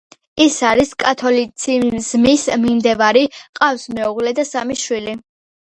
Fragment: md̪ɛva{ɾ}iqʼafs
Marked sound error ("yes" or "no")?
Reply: no